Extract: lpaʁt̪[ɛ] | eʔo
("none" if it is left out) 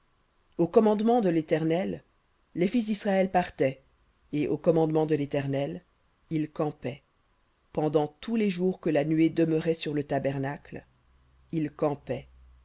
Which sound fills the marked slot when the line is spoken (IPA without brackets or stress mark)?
ɛ